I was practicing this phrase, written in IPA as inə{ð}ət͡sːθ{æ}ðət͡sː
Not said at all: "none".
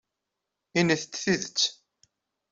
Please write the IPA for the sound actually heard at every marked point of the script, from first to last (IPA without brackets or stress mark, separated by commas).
θ, i